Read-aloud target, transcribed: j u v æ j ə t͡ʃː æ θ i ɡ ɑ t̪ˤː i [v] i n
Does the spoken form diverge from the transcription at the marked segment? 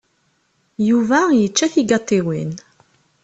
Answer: yes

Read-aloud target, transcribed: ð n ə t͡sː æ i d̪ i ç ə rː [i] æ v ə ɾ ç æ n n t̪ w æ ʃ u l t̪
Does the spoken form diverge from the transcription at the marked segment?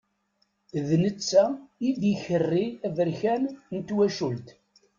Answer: no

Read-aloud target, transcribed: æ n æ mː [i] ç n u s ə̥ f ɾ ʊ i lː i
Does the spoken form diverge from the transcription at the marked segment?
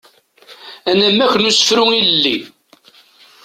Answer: yes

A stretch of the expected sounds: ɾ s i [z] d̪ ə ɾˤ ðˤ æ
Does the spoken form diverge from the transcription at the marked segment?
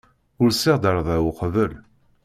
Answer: yes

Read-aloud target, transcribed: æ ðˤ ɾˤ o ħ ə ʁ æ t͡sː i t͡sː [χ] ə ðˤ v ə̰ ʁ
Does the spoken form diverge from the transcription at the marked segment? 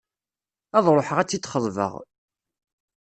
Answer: no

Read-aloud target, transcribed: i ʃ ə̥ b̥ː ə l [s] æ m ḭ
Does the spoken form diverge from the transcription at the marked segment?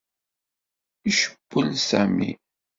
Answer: no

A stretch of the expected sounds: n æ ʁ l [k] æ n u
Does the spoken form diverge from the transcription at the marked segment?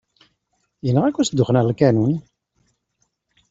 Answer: no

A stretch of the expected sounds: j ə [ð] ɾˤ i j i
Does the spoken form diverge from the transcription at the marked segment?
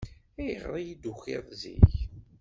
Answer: yes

